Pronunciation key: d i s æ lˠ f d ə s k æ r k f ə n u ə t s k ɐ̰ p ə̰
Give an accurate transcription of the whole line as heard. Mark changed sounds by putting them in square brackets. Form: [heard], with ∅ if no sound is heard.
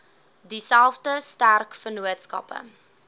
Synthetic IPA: d i s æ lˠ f d ə s [t] æ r k f ə n u ə t s k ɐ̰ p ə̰